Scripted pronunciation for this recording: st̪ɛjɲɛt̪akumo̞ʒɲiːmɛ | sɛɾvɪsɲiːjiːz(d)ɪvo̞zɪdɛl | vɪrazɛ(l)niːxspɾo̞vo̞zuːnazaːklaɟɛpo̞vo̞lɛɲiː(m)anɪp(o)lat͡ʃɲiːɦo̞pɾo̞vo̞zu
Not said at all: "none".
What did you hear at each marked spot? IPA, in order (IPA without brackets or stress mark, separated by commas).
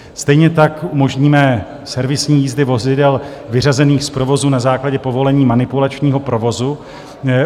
d, none, m, u